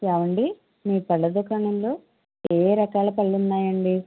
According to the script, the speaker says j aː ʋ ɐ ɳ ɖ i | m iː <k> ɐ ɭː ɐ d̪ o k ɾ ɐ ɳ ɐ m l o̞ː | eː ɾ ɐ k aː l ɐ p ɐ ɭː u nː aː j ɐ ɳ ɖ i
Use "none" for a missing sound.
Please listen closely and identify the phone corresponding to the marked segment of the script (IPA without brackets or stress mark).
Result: p